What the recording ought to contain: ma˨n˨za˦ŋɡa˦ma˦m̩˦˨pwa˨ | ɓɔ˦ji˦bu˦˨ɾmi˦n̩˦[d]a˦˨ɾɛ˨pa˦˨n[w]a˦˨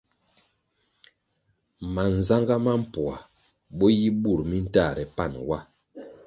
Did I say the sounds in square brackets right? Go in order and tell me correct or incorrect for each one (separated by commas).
incorrect, correct